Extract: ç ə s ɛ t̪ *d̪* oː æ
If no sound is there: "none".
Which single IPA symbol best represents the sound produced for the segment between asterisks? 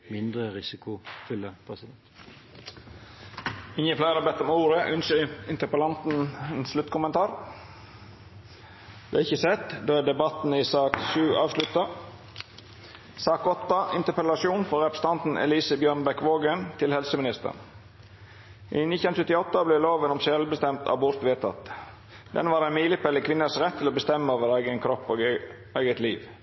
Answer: d̪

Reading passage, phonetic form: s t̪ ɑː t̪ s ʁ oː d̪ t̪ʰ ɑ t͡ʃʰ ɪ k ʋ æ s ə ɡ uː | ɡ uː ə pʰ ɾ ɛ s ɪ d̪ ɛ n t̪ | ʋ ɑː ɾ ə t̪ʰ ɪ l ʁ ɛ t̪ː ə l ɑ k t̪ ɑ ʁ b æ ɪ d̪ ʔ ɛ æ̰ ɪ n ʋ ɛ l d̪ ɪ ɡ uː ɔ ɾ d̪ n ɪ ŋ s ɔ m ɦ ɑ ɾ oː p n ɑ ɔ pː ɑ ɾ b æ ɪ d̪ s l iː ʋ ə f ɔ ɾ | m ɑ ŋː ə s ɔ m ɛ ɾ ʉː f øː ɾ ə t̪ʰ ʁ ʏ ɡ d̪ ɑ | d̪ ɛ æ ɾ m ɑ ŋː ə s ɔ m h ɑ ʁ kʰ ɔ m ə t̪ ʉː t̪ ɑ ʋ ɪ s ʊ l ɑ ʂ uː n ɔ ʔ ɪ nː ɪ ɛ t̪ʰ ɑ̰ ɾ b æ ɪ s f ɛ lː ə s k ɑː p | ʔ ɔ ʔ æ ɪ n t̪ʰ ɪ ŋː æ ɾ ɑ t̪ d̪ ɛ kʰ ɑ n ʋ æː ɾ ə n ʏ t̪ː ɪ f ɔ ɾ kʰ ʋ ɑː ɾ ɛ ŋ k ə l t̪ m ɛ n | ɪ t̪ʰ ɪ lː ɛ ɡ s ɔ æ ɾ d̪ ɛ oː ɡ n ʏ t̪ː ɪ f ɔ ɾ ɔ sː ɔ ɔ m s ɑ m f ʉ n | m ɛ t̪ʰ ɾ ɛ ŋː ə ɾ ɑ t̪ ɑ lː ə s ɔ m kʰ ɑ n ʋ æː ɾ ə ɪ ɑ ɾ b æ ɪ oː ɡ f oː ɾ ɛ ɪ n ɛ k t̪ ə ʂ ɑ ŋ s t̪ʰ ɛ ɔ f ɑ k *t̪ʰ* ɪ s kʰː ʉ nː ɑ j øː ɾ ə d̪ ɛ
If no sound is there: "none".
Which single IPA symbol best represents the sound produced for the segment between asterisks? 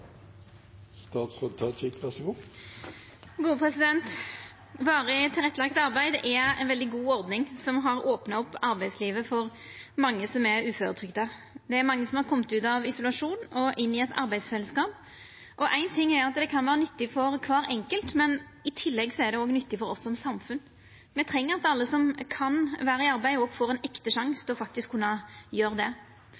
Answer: t̪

